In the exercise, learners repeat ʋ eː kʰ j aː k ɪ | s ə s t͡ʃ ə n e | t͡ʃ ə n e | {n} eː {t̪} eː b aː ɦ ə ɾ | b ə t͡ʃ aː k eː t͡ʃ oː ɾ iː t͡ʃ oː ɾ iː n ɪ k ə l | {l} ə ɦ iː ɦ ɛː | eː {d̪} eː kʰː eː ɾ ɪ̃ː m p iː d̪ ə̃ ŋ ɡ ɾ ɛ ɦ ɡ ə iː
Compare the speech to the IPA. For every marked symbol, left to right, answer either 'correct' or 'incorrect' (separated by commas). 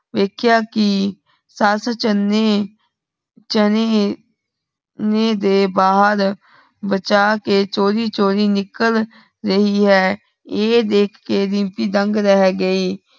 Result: correct, incorrect, incorrect, correct